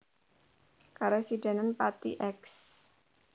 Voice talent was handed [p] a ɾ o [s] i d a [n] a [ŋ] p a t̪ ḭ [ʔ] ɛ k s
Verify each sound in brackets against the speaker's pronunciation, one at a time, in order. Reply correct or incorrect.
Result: incorrect: k, correct, correct, incorrect: n, correct

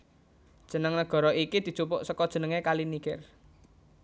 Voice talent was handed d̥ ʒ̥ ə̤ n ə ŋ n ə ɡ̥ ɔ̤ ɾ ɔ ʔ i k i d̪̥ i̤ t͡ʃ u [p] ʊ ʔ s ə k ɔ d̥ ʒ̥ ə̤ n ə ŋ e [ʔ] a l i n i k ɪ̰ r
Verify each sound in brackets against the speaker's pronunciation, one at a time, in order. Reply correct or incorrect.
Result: correct, incorrect: k

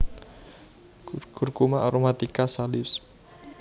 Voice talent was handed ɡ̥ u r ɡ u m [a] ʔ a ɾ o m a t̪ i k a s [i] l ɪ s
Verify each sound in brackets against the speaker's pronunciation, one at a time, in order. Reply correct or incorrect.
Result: correct, incorrect: a

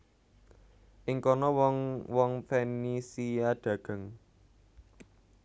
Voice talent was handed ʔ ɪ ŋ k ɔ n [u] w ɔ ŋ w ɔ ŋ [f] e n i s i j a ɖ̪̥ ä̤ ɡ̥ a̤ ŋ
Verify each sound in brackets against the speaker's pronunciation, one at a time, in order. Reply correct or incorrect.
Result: incorrect: ɔ, correct

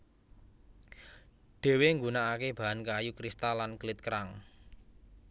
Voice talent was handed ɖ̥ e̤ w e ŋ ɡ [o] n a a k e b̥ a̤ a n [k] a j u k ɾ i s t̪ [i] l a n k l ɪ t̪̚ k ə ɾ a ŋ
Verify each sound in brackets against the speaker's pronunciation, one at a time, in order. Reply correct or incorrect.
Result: incorrect: u, correct, incorrect: a

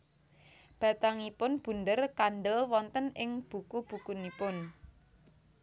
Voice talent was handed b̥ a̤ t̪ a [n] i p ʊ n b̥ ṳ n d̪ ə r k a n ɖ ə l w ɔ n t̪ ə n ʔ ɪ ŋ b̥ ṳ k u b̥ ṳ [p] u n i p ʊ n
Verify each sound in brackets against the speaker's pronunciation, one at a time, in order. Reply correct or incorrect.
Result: incorrect: ŋ, incorrect: k

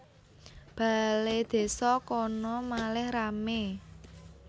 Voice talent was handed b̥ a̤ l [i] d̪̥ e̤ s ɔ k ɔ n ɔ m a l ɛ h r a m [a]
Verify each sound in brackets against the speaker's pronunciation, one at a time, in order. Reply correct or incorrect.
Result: incorrect: e, incorrect: e

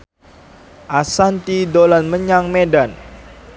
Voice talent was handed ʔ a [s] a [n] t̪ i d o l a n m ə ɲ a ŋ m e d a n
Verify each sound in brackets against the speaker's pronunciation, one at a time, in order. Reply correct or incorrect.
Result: correct, correct

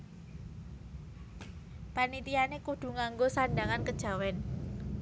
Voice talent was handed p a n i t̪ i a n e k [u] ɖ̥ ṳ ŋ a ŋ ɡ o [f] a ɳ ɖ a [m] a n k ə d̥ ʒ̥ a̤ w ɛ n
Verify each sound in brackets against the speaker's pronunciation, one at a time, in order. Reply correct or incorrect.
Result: correct, incorrect: s, incorrect: ŋ

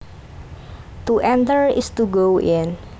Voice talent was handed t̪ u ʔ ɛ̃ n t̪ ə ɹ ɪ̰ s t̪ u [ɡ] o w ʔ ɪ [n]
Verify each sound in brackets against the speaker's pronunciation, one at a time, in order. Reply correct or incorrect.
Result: correct, correct

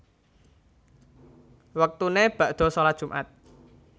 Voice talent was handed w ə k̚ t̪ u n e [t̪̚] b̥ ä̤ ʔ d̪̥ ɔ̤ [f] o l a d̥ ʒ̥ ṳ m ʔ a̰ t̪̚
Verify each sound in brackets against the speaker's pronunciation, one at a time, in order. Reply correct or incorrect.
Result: incorrect: none, incorrect: s

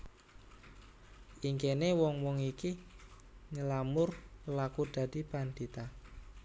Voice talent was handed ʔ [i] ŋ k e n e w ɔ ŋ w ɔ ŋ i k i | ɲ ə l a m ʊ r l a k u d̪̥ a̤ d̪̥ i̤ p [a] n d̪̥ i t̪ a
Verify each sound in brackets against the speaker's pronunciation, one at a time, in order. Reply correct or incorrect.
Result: correct, correct

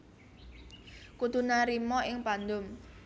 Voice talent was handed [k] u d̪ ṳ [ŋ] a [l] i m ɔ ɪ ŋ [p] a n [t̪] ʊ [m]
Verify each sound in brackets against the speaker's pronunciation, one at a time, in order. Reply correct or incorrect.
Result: correct, incorrect: n, incorrect: ɾ, correct, incorrect: d̪, correct

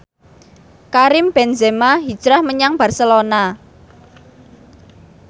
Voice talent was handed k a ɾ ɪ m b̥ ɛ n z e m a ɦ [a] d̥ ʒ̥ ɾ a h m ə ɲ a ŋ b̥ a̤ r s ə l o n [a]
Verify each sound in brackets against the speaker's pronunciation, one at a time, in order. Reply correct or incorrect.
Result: incorrect: i, correct

